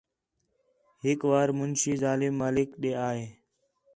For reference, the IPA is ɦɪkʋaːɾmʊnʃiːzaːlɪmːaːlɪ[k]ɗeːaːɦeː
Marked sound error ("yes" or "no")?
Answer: no